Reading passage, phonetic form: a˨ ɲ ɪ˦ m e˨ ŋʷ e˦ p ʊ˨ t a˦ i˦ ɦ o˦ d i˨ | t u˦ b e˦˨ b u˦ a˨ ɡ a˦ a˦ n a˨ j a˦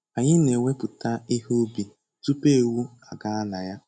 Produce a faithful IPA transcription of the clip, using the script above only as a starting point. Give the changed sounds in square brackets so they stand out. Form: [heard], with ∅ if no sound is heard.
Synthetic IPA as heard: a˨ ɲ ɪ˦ [n] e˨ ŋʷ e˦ p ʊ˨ t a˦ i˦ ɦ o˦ [b] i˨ | t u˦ [p] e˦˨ [w] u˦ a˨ ɡ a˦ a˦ n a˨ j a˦